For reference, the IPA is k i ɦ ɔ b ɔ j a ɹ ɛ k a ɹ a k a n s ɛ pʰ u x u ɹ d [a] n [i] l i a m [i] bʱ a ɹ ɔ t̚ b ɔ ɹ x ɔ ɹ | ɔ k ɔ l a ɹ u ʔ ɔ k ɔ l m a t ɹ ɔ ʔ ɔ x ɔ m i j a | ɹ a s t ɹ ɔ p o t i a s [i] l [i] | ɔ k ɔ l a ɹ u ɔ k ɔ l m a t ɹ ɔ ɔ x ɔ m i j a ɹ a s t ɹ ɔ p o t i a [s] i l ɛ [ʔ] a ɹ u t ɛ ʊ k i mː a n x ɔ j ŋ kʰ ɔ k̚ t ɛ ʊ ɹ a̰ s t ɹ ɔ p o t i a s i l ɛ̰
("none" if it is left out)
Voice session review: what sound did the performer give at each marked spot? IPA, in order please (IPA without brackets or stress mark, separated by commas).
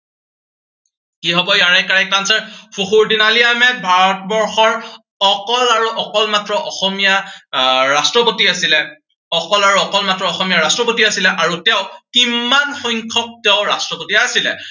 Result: i, a, ɛ, i, ɛ, s, ʔ